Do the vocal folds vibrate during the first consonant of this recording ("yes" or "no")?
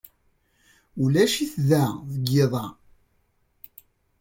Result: yes